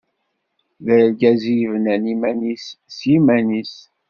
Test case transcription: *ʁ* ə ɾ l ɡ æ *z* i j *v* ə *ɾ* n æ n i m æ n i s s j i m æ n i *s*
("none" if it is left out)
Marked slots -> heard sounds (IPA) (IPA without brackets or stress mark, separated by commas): ð, z, v, none, s